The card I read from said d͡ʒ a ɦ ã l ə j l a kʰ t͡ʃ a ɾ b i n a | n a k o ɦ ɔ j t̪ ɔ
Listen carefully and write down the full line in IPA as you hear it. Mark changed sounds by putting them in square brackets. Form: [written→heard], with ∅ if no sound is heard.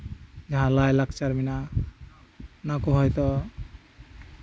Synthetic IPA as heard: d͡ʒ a ɦ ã l [ə→a] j l a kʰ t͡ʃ a ɾ [b→m] i n a | n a k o ɦ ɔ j t̪ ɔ